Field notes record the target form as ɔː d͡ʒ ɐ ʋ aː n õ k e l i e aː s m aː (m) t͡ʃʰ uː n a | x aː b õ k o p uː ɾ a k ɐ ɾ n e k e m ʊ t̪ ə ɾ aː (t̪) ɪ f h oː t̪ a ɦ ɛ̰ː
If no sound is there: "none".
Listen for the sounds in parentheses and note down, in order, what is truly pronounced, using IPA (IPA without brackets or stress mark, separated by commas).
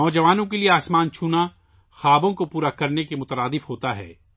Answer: n, d̪